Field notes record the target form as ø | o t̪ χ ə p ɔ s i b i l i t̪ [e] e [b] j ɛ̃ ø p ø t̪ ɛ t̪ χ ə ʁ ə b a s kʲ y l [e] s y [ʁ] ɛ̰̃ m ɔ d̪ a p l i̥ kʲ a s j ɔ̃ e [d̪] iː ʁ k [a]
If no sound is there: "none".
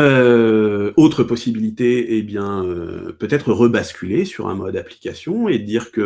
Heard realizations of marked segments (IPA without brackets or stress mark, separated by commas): e, b, e, ʁ, d̪, ə